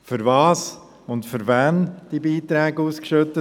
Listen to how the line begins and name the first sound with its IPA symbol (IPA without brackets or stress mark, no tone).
f